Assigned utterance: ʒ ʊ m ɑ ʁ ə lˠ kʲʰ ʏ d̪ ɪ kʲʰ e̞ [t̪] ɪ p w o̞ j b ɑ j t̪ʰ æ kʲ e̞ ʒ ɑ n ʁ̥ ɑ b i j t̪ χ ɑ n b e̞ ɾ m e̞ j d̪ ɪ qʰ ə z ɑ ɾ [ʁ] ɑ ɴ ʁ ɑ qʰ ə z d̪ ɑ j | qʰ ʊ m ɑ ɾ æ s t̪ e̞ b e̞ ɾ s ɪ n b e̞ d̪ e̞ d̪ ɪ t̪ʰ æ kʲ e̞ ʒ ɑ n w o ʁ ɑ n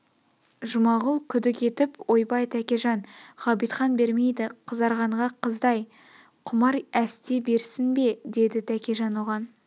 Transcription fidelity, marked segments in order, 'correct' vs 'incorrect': correct, correct

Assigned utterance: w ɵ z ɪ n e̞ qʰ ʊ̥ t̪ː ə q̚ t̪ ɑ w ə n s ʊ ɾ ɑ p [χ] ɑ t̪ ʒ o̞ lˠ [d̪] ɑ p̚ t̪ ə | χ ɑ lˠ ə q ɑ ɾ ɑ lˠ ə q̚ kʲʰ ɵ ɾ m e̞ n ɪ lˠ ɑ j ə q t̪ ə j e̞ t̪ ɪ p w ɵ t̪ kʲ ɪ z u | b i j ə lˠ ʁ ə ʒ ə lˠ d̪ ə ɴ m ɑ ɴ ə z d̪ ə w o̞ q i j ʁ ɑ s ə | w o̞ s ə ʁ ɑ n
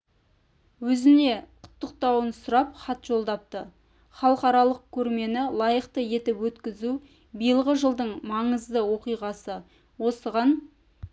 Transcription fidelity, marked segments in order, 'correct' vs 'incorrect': correct, correct

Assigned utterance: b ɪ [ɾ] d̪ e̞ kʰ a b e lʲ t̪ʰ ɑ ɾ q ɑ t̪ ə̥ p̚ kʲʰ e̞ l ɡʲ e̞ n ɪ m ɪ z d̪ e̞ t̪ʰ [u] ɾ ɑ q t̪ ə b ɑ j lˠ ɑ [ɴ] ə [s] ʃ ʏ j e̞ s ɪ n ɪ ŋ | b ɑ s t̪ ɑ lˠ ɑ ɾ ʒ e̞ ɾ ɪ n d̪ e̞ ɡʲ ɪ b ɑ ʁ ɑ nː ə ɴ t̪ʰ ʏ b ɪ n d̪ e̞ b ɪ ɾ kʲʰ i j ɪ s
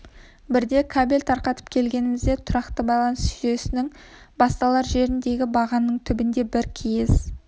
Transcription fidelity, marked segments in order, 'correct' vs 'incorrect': correct, incorrect, incorrect, correct

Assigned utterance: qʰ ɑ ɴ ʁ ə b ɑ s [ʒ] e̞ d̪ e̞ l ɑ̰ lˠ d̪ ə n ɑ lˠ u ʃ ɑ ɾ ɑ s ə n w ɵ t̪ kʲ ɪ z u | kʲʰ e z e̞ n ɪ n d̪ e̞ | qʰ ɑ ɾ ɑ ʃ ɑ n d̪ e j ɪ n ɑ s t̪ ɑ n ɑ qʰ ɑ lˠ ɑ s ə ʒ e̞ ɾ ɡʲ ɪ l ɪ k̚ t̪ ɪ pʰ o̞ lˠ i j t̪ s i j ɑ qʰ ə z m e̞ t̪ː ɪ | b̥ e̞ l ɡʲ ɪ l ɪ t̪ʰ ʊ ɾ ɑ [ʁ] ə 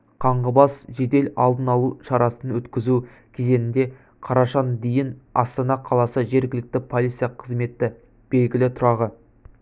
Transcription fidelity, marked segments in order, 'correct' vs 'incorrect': correct, correct

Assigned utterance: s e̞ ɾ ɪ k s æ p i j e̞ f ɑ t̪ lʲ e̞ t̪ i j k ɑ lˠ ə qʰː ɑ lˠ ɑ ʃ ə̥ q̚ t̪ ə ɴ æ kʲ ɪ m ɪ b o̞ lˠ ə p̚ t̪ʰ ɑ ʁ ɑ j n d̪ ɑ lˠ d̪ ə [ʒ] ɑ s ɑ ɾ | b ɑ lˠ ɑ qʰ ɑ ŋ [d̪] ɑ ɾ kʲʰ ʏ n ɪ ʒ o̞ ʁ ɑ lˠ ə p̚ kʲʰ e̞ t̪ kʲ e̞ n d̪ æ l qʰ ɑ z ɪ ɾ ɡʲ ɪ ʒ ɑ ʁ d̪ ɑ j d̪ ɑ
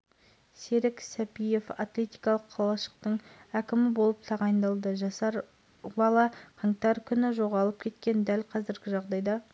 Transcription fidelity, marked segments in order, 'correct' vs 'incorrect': correct, incorrect

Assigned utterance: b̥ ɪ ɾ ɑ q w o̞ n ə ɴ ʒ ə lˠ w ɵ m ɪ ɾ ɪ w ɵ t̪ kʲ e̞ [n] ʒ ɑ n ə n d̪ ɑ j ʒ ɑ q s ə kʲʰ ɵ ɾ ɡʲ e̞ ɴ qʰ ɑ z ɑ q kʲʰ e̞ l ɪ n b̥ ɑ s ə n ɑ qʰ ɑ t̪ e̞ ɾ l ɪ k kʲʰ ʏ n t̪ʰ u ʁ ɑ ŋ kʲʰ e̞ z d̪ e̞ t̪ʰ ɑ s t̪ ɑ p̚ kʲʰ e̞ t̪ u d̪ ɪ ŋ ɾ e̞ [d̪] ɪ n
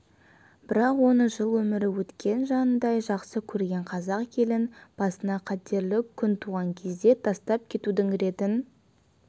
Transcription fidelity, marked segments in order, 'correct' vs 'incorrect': correct, incorrect

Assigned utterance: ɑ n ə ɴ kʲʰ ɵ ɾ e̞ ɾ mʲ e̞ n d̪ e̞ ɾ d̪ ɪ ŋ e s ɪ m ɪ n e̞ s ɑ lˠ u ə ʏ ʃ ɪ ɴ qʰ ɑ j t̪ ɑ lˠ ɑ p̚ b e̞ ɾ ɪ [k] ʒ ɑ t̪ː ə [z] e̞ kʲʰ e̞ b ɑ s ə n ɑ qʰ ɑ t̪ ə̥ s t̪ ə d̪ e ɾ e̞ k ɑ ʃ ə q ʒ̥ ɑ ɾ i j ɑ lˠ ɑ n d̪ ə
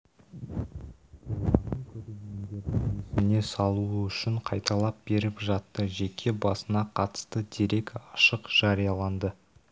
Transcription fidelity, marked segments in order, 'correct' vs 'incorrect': incorrect, incorrect

